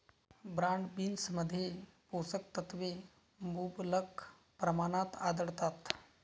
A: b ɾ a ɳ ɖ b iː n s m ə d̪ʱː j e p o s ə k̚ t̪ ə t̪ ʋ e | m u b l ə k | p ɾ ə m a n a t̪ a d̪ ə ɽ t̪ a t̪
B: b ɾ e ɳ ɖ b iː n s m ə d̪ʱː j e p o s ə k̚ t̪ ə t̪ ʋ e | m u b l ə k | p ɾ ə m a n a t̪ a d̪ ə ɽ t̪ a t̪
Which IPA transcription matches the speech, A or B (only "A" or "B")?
A